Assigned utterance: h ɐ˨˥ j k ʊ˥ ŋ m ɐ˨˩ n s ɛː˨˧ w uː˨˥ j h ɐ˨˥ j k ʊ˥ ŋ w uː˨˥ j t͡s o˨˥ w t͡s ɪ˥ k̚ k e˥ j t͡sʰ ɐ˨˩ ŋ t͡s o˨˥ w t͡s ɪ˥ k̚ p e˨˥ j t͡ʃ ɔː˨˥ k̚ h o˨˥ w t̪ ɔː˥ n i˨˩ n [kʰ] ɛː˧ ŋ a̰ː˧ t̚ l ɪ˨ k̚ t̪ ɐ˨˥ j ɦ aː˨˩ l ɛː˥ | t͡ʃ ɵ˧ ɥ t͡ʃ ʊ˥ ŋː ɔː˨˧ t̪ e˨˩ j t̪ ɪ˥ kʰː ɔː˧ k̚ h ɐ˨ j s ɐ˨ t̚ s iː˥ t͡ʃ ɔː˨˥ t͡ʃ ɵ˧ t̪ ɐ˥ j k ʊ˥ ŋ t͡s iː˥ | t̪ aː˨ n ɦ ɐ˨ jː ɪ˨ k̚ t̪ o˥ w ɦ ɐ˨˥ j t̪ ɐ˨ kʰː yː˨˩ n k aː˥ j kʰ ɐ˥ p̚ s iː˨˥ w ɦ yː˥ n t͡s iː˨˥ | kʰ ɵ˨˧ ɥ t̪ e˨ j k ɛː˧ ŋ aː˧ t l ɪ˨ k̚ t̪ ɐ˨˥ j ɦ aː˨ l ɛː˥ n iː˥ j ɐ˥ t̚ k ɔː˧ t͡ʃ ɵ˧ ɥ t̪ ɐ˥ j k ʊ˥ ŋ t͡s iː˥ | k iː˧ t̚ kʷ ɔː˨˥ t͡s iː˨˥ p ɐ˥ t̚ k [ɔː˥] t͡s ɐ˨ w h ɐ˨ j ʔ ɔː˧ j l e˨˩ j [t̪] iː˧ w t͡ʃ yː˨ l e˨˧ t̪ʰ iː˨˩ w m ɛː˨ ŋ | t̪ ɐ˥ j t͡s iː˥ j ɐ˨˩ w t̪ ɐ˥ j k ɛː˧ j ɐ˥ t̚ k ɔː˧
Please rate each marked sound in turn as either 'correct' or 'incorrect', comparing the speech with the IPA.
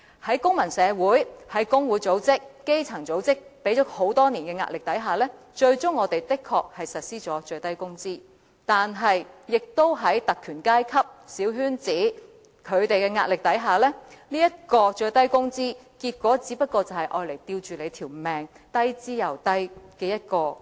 incorrect: k, incorrect: ɔː˧, correct

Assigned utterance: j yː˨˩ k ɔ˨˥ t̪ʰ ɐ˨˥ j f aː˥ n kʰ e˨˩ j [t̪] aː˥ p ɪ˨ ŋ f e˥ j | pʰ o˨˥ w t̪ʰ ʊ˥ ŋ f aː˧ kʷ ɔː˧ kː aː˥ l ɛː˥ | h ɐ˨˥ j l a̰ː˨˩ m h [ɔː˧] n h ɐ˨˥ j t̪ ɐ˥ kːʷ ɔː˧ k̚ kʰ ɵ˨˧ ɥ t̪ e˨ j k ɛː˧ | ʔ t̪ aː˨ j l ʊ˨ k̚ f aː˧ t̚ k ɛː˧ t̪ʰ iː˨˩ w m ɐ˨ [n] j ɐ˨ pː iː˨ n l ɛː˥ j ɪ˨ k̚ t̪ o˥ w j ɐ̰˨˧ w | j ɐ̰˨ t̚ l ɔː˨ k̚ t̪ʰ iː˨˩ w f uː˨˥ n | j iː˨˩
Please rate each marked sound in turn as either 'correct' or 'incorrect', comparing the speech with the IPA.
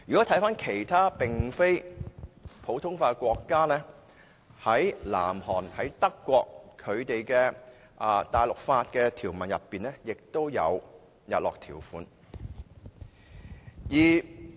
incorrect: t̪ʰ, incorrect: ɔː˨˩, correct

